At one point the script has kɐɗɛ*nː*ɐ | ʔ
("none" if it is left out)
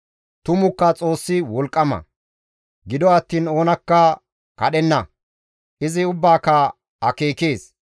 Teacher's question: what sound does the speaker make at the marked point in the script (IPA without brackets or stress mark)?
nː